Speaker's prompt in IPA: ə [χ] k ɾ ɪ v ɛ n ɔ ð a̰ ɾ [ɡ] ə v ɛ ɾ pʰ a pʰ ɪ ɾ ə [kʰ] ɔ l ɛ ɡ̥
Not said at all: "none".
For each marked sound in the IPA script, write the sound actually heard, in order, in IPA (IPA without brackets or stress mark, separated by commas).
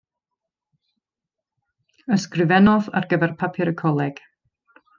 s, ɡ, kʰ